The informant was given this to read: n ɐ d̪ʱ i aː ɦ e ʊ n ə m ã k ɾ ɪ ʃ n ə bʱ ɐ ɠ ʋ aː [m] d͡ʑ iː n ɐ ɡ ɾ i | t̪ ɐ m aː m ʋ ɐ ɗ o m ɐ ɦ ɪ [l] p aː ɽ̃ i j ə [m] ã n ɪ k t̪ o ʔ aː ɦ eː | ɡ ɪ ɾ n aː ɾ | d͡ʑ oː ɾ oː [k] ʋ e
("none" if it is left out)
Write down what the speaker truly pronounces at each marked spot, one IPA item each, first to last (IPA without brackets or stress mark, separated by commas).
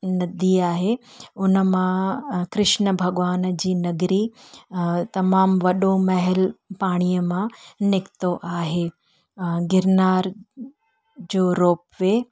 n, l, m, p